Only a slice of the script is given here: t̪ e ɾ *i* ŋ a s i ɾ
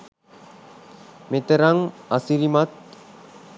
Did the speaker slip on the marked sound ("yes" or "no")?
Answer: yes